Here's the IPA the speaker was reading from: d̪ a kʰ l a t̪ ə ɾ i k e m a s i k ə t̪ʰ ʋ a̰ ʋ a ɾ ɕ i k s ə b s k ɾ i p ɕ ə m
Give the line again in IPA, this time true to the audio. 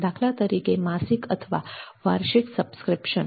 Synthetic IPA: d̪ a kʰ l a t̪ ə ɾ i k e m a s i k ə t̪ʰ ʋ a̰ ʋ a ɾ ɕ i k s ə b s k ɾ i p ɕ ə n